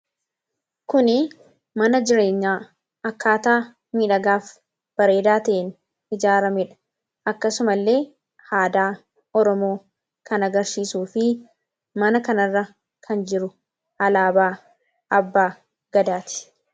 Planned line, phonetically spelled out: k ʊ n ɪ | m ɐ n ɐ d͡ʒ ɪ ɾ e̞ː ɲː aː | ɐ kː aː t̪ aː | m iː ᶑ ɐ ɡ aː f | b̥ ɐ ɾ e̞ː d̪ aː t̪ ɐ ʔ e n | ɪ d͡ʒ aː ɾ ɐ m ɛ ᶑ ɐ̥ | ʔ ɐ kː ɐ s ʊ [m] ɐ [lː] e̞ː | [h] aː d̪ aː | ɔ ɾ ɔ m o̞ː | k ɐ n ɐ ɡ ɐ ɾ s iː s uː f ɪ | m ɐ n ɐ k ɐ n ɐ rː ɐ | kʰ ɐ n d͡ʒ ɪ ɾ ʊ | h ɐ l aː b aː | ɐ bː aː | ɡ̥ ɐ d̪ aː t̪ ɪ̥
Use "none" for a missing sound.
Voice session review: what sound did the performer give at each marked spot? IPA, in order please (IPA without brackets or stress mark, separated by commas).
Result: m, lː, h